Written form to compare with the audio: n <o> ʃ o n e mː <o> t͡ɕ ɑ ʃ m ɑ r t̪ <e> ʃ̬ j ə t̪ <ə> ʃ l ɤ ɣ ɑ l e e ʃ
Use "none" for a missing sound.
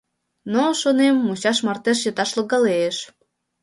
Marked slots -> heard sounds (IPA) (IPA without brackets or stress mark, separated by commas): o, u, e, ɑ